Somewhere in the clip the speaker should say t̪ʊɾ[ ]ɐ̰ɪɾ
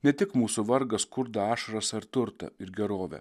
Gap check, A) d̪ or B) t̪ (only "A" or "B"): B